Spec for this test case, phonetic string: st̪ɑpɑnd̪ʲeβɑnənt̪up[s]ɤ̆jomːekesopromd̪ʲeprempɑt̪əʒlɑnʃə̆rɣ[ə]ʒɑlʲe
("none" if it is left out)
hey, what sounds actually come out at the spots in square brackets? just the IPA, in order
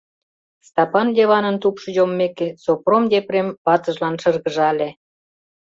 ʃ, ə

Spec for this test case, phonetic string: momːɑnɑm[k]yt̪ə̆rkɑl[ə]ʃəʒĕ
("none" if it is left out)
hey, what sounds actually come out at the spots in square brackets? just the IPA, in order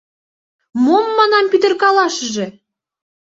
p, ɑ

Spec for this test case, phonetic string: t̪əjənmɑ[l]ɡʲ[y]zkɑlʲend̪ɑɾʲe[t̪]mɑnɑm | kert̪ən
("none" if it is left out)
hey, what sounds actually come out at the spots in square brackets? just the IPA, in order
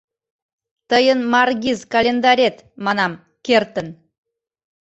r, i, t̪

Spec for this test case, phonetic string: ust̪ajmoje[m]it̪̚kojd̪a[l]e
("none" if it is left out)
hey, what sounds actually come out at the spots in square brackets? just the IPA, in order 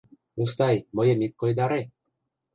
m, ɾ

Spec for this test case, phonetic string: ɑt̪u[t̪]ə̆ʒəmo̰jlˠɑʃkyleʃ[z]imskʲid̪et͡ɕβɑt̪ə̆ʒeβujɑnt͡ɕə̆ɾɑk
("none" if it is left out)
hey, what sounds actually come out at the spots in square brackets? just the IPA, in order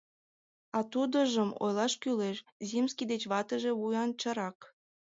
d̪, z

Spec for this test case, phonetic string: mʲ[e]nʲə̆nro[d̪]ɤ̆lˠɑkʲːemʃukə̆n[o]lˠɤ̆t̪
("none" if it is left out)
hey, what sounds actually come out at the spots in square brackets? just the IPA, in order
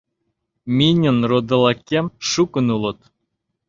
i, d̪, u

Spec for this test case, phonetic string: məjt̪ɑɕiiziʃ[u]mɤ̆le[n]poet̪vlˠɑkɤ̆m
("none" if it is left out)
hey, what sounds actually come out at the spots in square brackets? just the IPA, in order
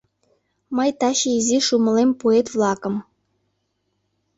u, m

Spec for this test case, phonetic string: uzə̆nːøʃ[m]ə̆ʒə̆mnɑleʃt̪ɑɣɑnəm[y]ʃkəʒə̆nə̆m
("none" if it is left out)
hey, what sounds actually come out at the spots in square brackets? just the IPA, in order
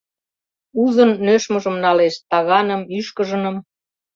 m, y

